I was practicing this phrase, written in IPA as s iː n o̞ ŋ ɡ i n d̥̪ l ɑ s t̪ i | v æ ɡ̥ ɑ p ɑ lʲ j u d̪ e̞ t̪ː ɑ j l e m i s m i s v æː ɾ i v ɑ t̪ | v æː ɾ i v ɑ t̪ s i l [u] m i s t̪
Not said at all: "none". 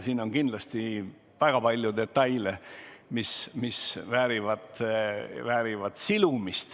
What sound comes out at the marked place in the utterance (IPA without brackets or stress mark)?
u